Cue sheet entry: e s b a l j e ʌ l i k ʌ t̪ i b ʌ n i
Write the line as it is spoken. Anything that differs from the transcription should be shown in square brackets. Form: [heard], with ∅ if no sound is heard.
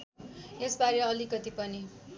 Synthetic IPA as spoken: e s b a [ɾ] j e ʌ l i k ʌ t̪ i [p] ʌ n i